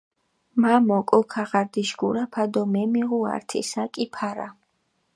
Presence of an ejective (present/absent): present